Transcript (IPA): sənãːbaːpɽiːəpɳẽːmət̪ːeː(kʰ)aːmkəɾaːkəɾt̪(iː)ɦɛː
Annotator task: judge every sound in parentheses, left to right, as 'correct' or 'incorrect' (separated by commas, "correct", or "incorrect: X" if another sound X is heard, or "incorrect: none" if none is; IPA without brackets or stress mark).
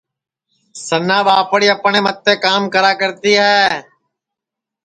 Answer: incorrect: k, correct